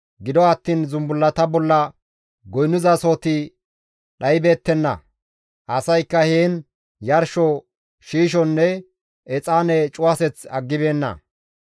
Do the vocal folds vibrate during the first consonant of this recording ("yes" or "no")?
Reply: yes